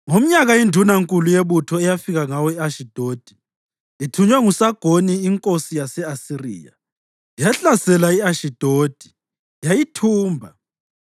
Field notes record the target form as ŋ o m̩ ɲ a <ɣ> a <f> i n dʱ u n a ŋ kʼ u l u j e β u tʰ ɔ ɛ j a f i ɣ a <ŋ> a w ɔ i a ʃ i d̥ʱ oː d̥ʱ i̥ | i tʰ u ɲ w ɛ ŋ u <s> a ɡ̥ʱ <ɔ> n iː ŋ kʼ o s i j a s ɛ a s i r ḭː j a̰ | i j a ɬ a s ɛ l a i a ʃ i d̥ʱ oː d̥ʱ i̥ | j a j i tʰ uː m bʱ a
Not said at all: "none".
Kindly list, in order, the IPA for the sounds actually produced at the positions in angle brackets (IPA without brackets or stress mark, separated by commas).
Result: ɣ, none, ŋ, s, o